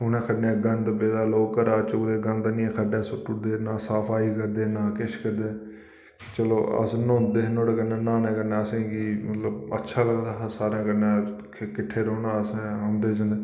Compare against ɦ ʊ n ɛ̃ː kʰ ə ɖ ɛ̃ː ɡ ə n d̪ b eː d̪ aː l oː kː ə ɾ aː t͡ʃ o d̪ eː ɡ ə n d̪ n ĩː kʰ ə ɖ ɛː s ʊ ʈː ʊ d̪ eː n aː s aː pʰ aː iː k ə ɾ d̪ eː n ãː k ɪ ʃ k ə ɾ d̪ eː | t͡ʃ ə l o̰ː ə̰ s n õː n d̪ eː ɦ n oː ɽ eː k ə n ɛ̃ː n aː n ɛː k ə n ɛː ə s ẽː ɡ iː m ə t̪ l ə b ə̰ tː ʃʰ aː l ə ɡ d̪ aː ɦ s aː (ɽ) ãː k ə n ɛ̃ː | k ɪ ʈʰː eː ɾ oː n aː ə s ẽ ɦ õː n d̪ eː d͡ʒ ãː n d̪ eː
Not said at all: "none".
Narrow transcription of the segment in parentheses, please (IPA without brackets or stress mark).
ɾ